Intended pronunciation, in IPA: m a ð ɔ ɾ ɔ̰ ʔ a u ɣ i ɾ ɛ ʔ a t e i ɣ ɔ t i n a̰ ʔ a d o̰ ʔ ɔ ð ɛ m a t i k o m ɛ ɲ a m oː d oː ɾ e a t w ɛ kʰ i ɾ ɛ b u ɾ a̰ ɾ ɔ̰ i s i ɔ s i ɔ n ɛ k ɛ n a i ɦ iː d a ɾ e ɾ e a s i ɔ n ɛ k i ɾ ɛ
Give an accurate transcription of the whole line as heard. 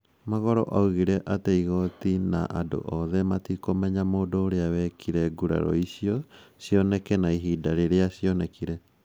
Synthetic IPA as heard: m a ɣ ɔ ɾ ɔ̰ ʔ a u ɣ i ɾ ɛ ʔ a t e i ɣ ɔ t i n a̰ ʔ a d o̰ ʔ ɔ ð ɛ m a t i k o m ɛ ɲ a m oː d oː ɾ e a w ɛ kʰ i ɾ ɛ ɡ u ɾ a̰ ɾ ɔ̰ i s i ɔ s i ɔ n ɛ k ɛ n a i ɦ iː d a ɾ e ɾ e a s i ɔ n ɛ k i ɾ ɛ